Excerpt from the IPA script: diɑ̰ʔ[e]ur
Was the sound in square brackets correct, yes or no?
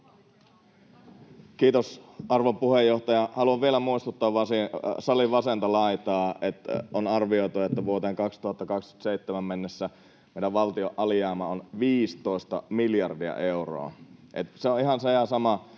yes